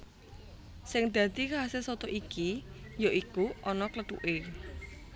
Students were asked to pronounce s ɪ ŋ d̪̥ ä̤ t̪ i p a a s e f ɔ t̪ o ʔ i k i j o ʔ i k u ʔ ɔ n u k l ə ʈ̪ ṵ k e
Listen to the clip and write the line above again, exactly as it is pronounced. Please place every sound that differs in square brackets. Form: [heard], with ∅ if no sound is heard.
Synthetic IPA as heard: s ɪ ŋ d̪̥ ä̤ t̪ i [k] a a s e [s] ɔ t̪ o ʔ i k i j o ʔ i k u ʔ ɔ n [ɔ] k l ə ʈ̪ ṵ [ʔ] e